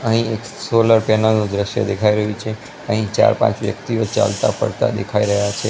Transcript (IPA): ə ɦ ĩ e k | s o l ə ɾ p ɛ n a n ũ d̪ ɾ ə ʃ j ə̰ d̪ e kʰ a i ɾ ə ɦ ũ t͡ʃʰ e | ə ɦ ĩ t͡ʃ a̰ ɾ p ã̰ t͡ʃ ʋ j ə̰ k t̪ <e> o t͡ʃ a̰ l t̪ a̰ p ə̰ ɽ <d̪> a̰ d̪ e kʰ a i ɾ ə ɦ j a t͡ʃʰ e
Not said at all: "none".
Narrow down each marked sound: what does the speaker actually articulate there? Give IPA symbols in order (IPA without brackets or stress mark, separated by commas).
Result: i, t̪